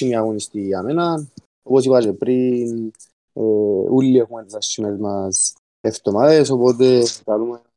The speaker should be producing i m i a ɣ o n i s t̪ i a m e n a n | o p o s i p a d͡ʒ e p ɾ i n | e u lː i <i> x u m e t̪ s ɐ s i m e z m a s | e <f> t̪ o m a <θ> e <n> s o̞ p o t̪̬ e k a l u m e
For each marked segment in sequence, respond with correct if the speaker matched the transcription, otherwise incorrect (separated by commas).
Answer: incorrect, correct, incorrect, incorrect